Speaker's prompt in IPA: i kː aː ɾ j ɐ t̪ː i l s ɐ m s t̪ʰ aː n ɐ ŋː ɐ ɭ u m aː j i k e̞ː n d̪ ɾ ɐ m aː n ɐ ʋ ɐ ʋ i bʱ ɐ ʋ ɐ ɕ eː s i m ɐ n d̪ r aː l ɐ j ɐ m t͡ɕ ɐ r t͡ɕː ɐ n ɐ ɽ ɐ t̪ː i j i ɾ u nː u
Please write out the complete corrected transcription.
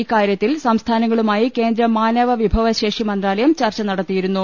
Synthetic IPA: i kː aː ɾ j ɐ t̪ː i l s ɐ m s t̪ʰ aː n ɐ ŋː ɐ ɭ u m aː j i k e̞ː n d̪ ɾ ɐ m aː n ɐ ʋ ɐ ʋ i bʱ ɐ ʋ ɐ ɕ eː ʂ i m ɐ n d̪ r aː l ɐ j ɐ m t͡ɕ ɐ r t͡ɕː ɐ n ɐ ɽ ɐ t̪ː i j i ɾ u nː u